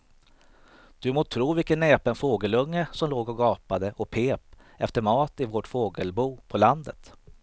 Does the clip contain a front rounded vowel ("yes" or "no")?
no